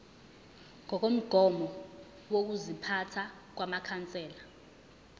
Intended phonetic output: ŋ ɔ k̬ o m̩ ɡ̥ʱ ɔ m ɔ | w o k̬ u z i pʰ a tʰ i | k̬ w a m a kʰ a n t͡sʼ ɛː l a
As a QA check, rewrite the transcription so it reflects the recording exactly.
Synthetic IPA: ŋ ɔ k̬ o m̩ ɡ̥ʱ ɔ m ɔ | w o k̬ u z i pʰ a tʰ a | k̬ w a m a kʰ a n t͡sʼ ɛː l a